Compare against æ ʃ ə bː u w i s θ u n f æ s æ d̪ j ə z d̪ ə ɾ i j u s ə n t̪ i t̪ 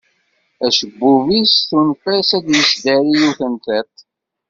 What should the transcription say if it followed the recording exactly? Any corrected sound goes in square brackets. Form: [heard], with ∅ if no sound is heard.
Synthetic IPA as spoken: æ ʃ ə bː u [v] i s θ u n f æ s æ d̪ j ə [s] d̪ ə ɾ i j u [θ] ə n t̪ [æ] t̪